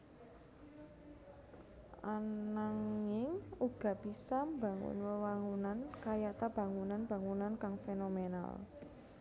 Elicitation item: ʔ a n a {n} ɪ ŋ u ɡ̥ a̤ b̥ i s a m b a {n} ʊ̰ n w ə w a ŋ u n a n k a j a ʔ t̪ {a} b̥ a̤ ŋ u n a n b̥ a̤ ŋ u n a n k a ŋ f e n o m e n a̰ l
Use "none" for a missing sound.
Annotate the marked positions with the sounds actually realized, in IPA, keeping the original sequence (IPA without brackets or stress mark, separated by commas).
ŋ, ŋ, a